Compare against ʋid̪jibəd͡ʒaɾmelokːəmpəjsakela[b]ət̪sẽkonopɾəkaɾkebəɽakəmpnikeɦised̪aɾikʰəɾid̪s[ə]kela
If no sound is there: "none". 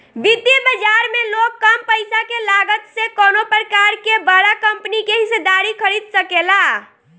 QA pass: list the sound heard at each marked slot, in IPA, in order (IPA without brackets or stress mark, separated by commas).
ɡ, ə